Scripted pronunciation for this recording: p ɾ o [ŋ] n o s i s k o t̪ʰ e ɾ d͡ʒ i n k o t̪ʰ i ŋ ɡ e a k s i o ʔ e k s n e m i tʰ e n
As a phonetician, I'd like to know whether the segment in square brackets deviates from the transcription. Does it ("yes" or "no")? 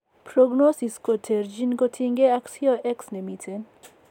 yes